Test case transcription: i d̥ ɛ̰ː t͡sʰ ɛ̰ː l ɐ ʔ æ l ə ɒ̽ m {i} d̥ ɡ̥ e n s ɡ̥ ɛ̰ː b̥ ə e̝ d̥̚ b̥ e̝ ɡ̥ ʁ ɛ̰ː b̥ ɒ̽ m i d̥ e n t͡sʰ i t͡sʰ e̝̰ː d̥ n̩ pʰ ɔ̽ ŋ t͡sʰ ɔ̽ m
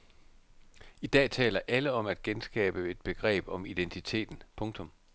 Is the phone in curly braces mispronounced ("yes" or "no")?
yes